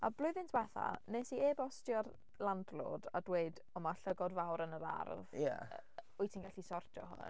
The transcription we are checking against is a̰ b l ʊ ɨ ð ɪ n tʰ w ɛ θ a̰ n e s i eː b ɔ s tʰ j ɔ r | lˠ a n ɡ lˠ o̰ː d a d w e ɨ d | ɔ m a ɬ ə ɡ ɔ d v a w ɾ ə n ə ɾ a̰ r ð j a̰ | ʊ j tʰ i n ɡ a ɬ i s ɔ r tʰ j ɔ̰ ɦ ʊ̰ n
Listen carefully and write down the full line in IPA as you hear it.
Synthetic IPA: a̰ b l ʊ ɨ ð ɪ n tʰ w ɛ θ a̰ n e s i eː b ɔ s t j ɔ r | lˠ a n d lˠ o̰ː d a d w e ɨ d | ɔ m a ɬ ə ɡ ɔ d v a w ɾ ə n ə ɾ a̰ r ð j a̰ | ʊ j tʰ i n ɡ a ɬ i s ɔ r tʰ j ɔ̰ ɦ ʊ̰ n